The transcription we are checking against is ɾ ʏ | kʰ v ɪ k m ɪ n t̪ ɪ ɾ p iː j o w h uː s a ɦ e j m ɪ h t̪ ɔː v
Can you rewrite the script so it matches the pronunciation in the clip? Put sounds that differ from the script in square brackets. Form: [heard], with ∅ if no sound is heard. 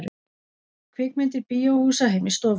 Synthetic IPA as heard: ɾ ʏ | kʰ v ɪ k m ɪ n t̪ ɪ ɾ p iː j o w h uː s a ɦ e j m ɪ [s] t̪ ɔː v